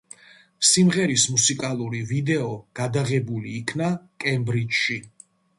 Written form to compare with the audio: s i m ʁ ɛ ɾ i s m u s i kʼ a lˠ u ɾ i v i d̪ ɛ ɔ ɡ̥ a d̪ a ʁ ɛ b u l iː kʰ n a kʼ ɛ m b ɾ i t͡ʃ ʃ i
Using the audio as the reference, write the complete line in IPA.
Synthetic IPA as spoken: s i m ʁ ɛ ɾ i s m u s i kʼ a lˠ u ɾ i v i d̪ ɛ ɔ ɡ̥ a d̪ a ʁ ɛ b u l iː kʰ n a kʼ ɛ m b ɾ i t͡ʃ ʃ i